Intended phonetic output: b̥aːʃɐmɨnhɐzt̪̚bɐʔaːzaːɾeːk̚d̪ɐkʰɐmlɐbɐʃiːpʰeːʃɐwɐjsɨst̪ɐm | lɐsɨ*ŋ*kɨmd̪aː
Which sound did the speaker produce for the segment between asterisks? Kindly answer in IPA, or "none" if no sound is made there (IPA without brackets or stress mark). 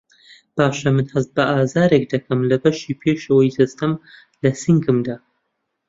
ŋ